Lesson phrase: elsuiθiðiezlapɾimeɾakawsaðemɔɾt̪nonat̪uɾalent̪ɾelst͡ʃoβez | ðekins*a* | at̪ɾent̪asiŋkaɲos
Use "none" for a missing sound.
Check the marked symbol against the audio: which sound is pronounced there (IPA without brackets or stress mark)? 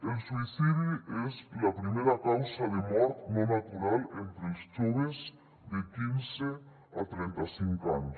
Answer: e